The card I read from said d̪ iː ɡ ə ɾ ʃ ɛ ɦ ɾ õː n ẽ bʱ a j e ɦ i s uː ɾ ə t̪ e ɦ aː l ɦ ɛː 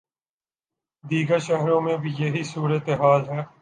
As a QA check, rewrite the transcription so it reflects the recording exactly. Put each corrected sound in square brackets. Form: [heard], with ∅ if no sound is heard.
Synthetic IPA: d̪ iː ɡ ə ɾ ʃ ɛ ɦ ɾ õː [m] ẽ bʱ [i] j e ɦ i s uː ɾ ə t̪ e ɦ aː l ɦ ɛː